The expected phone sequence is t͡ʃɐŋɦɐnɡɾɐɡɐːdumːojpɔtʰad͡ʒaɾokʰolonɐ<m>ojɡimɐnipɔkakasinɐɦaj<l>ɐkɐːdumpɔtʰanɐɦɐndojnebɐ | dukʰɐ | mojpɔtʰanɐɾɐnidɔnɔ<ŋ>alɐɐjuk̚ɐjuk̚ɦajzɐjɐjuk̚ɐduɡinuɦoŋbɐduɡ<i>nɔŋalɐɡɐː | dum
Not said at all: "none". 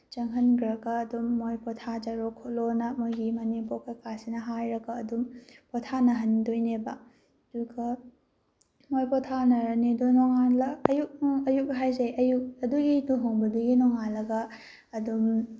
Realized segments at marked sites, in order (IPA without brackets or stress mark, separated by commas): m, ɾ, ŋ, i